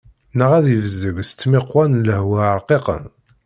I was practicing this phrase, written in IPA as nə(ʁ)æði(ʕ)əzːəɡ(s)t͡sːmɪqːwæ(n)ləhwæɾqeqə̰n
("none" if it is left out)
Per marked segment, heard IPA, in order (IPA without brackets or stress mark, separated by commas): ʁ, v, s, n